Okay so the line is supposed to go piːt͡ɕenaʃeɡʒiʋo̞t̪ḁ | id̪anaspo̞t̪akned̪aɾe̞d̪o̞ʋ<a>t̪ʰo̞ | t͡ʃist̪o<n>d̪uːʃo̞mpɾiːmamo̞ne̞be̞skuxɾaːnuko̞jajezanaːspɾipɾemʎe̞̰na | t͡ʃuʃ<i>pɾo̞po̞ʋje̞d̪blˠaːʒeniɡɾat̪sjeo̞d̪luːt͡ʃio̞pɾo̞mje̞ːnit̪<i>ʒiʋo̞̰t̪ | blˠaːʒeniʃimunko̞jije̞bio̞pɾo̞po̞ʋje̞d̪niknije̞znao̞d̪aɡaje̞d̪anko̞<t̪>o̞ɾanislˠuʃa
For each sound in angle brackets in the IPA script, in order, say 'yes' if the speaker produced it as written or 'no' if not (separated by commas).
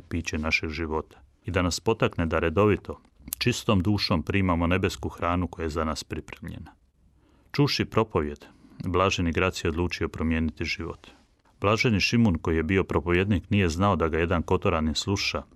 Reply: no, no, yes, yes, yes